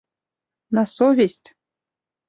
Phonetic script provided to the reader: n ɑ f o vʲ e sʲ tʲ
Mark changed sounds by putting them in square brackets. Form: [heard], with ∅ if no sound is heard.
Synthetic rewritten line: n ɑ [s] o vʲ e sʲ tʲ

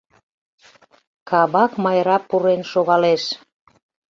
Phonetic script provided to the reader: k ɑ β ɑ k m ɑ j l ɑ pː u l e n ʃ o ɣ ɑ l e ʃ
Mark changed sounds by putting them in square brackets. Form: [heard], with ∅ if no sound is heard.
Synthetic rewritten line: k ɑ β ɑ k m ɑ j [ɾ] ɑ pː u [ɾ] e n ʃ o ɣ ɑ l e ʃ

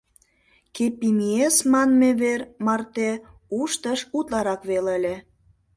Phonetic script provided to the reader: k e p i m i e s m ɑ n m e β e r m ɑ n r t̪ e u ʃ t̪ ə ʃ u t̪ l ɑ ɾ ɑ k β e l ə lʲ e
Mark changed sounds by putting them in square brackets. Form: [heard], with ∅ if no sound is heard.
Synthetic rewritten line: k e p i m i e s m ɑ n m e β e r m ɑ [∅] r t̪ e u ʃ t̪ ə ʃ u t̪ l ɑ ɾ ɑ k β e l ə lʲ e

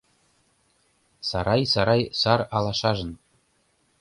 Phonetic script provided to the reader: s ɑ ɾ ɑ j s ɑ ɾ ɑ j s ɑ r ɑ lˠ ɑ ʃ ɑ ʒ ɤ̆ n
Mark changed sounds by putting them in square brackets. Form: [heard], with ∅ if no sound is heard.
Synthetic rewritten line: s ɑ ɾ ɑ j s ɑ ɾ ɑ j s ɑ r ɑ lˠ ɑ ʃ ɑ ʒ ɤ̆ n

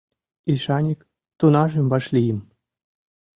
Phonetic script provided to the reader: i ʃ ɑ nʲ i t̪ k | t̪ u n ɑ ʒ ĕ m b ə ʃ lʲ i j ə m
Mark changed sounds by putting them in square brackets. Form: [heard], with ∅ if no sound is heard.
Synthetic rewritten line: i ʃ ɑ nʲ i [∅] k | t̪ u n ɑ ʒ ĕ m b [ɑ] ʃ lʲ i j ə m

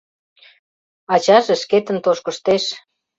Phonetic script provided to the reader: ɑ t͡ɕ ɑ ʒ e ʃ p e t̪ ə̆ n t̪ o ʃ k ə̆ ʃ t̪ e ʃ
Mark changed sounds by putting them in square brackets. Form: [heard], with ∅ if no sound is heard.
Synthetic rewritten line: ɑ t͡ɕ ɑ ʒ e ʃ [k] e t̪ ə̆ n t̪ o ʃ k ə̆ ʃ t̪ e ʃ

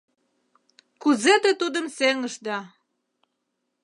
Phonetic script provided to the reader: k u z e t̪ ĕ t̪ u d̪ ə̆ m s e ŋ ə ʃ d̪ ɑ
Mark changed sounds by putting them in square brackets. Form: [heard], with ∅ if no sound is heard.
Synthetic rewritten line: k u z e t̪ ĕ t̪ u d̪ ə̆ m s e ŋ ə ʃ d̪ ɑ

